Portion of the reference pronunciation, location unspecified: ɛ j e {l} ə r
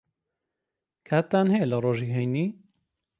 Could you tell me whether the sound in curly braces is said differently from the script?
no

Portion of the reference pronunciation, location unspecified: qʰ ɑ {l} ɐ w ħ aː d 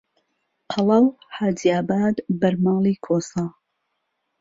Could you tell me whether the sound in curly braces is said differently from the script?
no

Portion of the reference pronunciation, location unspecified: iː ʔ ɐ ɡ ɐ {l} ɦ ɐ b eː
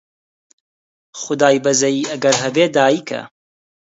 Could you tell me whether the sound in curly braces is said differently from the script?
yes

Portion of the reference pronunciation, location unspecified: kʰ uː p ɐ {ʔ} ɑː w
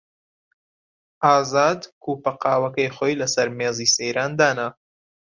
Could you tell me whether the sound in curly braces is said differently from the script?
yes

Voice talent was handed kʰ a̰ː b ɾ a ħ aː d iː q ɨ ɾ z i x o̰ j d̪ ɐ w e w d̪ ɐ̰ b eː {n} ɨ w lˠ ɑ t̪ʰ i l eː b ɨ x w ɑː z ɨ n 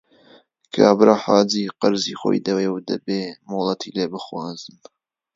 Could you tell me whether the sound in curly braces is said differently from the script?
yes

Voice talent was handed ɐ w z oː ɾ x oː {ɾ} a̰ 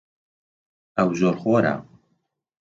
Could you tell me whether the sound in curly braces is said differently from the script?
no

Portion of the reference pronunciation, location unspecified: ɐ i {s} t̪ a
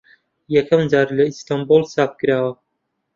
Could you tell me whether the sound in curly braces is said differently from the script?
no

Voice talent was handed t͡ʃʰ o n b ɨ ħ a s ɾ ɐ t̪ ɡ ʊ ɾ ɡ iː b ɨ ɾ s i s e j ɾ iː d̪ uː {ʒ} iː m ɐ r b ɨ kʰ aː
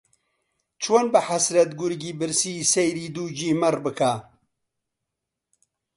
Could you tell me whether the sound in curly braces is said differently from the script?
yes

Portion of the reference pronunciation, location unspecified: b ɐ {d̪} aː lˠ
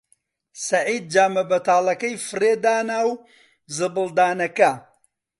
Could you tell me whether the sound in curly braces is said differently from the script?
yes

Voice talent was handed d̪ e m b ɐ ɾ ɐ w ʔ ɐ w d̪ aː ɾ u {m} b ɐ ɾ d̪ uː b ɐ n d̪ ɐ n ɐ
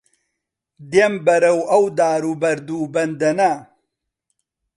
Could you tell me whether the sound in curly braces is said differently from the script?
yes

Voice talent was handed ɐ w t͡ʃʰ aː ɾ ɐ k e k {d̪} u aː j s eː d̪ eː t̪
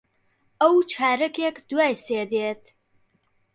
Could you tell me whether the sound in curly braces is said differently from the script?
no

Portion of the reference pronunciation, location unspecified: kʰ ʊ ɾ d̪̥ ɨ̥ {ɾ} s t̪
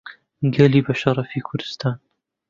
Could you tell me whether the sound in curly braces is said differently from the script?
yes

